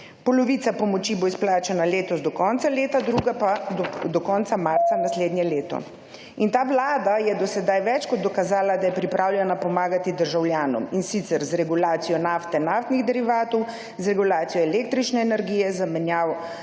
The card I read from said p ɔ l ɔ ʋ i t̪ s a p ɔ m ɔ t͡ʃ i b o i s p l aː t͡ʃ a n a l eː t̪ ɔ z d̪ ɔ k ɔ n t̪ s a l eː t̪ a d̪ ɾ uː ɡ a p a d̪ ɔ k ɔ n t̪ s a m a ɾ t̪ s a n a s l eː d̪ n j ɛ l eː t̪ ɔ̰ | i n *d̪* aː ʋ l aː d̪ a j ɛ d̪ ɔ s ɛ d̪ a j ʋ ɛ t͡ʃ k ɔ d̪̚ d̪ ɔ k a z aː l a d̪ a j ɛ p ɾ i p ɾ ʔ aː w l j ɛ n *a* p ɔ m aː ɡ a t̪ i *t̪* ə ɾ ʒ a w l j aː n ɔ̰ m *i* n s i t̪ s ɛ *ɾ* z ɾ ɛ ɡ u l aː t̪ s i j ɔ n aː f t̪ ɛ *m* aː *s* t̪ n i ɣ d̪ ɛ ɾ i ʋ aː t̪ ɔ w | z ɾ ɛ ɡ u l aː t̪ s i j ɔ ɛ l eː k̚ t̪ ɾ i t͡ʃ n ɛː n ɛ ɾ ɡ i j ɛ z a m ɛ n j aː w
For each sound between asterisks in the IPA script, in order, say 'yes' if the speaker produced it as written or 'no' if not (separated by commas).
no, yes, no, yes, yes, no, no